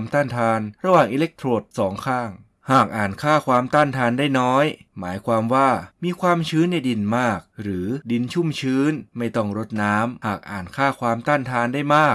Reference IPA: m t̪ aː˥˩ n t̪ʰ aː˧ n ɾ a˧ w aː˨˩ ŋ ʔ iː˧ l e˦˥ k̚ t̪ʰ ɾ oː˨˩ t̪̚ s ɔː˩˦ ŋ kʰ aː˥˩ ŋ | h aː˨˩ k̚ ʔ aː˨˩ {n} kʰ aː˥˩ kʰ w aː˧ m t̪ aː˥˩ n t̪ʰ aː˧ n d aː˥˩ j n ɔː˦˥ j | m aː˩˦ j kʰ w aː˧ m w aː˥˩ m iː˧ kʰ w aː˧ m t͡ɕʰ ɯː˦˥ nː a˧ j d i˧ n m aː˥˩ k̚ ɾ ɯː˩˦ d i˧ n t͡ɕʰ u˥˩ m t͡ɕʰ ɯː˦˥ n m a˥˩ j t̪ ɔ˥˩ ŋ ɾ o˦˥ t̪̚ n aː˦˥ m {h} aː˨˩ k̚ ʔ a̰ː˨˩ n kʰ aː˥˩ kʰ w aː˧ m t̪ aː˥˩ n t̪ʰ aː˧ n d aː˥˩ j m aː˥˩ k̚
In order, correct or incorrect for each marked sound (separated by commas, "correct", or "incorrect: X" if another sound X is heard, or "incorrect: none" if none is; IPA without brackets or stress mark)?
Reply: correct, correct